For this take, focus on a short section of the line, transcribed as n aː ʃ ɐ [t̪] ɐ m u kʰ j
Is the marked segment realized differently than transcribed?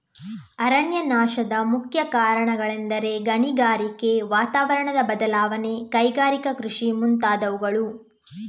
yes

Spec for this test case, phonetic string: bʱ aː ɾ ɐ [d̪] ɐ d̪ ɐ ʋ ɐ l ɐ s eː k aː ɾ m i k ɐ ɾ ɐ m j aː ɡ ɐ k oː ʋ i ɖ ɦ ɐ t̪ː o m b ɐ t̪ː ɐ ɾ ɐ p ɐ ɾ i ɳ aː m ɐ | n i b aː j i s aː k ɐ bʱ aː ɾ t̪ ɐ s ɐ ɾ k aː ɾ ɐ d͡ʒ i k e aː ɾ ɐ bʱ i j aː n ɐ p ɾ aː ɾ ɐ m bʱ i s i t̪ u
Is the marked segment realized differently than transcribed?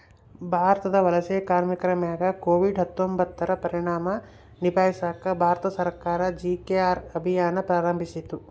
yes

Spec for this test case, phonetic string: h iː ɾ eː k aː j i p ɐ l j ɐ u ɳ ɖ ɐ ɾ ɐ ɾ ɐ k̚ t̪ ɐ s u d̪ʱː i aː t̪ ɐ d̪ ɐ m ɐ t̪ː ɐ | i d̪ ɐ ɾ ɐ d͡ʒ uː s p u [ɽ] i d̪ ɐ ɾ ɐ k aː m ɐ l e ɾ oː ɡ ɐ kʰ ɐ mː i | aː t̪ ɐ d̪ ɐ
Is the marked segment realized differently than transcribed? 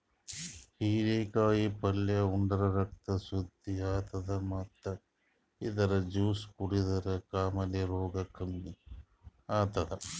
no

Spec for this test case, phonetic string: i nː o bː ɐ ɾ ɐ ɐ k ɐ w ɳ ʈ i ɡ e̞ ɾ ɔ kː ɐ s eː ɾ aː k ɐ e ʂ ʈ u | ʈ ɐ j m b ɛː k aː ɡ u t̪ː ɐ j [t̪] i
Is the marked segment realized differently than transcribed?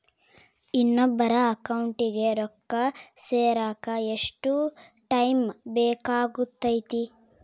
no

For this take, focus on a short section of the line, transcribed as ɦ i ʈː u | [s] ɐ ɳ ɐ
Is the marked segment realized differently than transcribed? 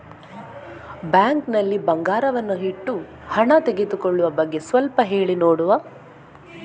yes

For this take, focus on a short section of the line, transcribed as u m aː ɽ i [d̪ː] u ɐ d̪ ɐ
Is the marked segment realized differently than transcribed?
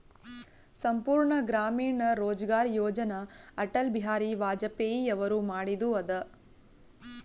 yes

